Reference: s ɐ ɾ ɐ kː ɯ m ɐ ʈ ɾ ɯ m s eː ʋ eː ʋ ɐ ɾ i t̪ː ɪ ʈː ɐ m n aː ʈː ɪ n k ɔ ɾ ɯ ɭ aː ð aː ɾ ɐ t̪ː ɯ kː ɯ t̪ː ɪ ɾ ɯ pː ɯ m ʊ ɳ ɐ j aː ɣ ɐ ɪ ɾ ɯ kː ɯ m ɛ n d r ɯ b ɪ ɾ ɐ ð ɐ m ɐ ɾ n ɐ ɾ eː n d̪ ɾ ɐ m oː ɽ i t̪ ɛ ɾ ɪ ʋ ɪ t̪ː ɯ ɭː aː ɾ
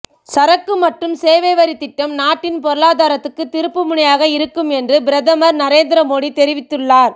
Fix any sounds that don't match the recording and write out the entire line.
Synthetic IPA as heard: s ɐ ɾ ɐ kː ɯ m ɐ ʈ r ɯ m s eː ʋ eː ʋ ɐ ɾ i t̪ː ɪ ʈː ɐ m n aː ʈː ɪ n p ɔ ɾ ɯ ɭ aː ð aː ɾ ɐ t̪ː ɯ kː ɯ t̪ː ɪ ɾ ɯ pː ɯ m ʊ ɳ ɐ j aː ɣ ɐ ɪ ɾ ɯ kː ɯ m ɛ n d r ɯ b ɪ ɾ ɐ ð ɐ m ɐ ɾ n ɐ ɾ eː n d̪ ɾ ɐ m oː ɽ i t̪ ɛ ɾ ɪ ʋ ɪ t̪ː ɯ ɭː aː ɾ

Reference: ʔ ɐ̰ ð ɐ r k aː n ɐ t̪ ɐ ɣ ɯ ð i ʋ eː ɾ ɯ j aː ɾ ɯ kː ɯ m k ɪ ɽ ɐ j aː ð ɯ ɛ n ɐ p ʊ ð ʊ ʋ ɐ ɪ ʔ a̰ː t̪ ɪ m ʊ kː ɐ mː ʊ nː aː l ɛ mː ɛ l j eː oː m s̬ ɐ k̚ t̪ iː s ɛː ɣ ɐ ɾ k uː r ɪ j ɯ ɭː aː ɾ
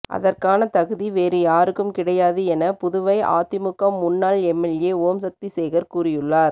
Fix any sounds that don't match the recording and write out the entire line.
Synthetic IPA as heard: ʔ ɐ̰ ð ɐ r k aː n ɐ t̪ ɐ ɣ ɯ ð i ʋ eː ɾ ɯ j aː ɾ ɯ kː ɯ m k ɪ ɽ ɐ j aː ð ɯ ɛ n ɐ p ʊ ð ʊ ʋ ɐ ɪ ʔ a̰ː t̪ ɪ m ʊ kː ɐ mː ʊ nː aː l ɛ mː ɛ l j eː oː m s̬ ɐ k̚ t̪ i s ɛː ɣ ɐ ɾ k uː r ɪ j ɯ ɭː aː ɾ

